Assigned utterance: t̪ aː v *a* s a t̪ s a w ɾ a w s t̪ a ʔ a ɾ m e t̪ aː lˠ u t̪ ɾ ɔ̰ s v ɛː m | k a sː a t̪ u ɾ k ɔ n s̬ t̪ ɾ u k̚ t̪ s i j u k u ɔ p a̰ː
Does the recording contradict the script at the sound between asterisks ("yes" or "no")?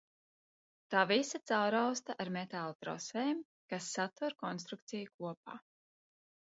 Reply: yes